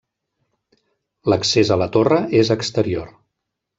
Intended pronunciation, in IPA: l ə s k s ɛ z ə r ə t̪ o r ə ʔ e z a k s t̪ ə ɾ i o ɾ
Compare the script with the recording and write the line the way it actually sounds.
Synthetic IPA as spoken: l ə k s e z ə l ə t̪ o r ə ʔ e z ə k s t̪ ə ɾ i o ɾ